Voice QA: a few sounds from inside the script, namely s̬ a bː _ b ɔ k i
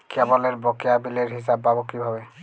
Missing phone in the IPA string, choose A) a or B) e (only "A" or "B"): A